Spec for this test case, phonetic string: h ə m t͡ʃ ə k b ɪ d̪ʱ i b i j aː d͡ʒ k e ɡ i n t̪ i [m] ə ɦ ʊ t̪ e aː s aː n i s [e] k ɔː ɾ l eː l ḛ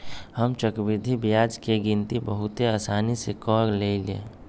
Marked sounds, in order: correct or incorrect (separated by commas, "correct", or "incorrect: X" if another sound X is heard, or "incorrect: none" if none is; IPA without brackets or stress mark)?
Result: incorrect: b, correct